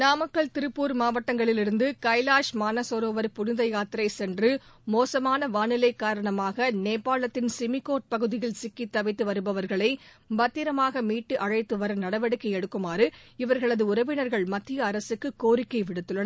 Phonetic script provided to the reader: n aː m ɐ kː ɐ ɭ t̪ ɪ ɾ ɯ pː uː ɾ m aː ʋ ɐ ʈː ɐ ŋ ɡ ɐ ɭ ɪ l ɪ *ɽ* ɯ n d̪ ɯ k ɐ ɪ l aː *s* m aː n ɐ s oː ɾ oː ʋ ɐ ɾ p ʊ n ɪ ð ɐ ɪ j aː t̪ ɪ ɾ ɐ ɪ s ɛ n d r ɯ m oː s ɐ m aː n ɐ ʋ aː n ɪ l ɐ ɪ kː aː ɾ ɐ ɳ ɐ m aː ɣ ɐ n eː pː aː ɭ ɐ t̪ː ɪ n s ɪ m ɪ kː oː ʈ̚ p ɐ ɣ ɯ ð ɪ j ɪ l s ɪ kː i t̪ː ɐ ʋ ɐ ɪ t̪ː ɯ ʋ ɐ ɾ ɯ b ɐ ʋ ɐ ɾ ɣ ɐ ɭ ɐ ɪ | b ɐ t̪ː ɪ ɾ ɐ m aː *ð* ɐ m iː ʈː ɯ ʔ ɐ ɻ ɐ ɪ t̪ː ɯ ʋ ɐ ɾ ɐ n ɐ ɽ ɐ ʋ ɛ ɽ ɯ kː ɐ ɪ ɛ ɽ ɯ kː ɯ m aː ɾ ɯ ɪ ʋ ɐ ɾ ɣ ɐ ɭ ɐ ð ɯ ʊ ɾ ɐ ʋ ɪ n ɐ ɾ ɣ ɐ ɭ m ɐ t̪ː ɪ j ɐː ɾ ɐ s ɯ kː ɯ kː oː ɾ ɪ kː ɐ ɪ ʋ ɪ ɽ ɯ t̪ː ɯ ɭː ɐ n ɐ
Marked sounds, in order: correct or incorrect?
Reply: incorrect, incorrect, incorrect

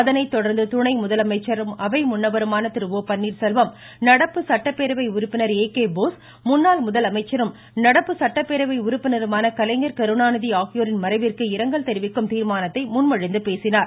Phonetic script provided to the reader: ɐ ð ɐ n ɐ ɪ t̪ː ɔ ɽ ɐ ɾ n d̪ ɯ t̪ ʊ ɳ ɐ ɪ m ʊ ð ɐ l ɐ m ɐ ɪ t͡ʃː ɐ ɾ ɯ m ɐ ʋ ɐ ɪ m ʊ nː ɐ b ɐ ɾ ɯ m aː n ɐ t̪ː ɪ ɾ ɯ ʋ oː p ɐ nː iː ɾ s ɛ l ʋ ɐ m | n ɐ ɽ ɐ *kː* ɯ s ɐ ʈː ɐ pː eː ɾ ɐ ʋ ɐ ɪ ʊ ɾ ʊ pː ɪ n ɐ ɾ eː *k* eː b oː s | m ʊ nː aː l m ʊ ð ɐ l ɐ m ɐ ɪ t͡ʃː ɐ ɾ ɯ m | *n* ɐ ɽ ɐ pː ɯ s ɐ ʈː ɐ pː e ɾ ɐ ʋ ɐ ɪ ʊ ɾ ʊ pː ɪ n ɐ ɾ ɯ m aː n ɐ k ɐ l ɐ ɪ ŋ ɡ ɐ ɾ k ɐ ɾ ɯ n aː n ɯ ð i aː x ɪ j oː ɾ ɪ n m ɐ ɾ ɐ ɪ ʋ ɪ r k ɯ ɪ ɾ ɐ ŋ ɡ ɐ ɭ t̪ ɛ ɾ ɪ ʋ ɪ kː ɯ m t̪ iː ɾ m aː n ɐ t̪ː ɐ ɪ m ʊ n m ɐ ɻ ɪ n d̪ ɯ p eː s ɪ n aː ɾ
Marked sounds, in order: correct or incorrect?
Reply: incorrect, correct, correct

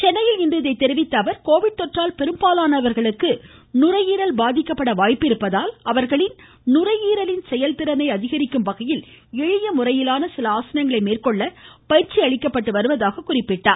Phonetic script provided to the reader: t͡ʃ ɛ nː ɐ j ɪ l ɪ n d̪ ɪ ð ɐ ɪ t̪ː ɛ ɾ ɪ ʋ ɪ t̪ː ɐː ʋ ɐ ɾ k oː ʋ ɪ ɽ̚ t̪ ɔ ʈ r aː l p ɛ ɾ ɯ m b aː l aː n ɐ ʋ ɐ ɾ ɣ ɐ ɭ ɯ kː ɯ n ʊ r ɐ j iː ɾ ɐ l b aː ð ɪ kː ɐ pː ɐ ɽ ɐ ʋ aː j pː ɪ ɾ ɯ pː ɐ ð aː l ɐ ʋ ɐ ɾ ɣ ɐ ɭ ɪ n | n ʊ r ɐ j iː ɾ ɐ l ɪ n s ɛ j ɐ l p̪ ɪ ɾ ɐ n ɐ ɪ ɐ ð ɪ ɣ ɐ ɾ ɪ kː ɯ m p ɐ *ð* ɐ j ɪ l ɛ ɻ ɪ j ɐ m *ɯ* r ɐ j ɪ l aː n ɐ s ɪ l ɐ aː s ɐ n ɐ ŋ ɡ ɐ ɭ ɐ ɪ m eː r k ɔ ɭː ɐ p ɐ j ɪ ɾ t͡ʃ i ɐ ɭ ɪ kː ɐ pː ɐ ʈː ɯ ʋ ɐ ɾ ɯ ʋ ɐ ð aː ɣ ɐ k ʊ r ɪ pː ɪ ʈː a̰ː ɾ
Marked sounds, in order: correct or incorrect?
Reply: incorrect, incorrect

